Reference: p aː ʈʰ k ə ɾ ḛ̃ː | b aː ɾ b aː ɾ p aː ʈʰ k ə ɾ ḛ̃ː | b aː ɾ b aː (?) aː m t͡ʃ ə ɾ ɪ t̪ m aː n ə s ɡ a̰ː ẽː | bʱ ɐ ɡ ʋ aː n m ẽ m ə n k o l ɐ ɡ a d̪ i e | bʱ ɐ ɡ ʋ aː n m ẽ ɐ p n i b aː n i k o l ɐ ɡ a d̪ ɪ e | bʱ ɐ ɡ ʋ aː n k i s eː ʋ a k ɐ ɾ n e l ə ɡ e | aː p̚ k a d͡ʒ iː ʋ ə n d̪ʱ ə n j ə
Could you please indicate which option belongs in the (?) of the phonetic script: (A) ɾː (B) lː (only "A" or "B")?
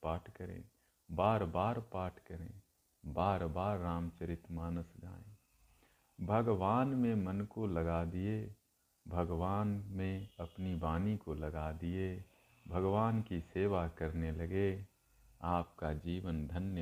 A